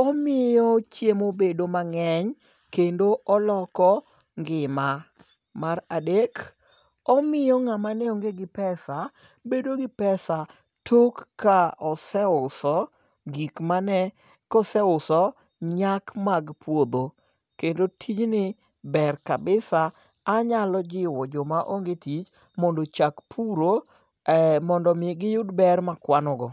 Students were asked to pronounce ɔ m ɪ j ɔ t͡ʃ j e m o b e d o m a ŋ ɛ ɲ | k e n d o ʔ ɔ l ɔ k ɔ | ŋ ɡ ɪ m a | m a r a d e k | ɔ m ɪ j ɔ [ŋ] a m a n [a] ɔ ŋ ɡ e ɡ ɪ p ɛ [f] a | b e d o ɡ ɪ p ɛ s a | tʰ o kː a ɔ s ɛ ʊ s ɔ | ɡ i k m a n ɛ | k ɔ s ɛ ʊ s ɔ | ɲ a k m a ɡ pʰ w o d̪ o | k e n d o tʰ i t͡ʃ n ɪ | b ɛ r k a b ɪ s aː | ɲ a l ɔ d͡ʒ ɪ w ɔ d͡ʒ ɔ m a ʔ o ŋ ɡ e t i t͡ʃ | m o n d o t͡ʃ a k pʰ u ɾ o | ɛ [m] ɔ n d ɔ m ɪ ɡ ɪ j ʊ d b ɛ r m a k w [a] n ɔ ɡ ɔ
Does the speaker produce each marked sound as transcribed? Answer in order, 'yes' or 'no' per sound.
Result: yes, no, no, yes, yes

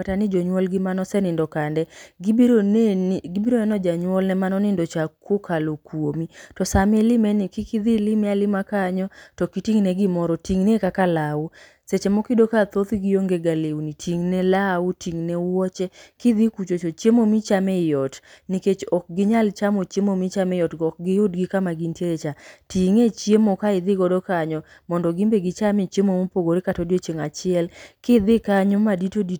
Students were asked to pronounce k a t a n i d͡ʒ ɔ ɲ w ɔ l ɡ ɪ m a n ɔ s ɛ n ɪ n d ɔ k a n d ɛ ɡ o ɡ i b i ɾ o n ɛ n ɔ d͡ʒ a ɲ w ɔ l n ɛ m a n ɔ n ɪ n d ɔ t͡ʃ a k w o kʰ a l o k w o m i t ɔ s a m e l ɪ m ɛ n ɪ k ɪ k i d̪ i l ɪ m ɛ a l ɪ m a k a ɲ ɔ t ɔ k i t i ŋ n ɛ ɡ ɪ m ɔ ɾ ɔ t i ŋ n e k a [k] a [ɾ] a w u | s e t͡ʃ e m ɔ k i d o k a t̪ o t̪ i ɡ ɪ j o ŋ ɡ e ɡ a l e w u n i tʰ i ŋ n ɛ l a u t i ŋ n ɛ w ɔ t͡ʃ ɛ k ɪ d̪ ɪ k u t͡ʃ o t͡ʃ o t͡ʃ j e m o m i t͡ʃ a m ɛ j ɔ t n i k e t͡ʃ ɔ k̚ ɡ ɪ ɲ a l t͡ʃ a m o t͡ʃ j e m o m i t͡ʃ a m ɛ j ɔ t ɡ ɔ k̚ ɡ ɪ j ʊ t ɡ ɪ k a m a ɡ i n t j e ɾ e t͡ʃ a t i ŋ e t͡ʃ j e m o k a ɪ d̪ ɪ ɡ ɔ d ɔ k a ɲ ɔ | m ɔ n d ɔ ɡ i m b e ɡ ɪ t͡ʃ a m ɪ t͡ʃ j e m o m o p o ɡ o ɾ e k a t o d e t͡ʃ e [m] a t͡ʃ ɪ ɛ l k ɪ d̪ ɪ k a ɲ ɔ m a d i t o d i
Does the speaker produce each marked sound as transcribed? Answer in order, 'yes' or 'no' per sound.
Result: yes, no, no

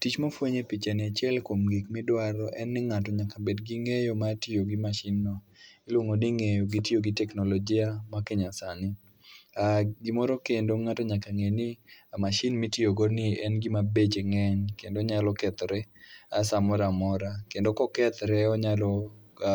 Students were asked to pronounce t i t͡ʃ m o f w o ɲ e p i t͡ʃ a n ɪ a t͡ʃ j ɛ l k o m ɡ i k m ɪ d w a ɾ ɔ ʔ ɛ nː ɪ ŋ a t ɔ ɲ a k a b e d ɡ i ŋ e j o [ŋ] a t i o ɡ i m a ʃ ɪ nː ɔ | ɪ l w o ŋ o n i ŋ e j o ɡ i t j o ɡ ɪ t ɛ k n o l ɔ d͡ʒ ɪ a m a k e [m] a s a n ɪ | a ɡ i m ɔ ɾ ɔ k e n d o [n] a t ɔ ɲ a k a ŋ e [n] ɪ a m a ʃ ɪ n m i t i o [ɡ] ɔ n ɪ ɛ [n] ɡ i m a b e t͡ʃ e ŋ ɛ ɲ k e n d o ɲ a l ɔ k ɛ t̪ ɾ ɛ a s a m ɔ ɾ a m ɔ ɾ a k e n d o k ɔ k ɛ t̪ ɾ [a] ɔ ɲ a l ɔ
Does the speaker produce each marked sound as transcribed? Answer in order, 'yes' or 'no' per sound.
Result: no, no, no, yes, yes, yes, no

